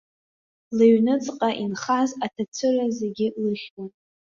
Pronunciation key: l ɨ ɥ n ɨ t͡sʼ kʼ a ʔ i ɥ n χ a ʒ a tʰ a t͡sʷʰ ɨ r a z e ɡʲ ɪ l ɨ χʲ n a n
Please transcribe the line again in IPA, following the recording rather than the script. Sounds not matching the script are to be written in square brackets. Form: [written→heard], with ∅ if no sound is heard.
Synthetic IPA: l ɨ ɥ n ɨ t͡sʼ [kʼ→qʼ] a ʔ i [ɥ→∅] n χ a [ʒ→z] a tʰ a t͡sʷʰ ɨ r a z e ɡʲ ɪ l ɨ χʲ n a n